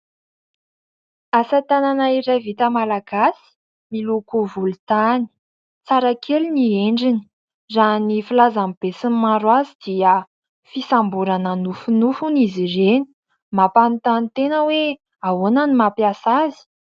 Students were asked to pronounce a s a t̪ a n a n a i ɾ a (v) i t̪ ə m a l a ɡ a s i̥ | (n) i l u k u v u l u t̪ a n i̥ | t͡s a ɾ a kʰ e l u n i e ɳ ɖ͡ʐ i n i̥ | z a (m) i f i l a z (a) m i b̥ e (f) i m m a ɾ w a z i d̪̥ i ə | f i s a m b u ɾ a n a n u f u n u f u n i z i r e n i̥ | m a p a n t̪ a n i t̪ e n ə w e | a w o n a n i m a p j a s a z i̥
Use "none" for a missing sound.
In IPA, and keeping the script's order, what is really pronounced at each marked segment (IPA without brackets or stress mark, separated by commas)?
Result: v, m, n, a, s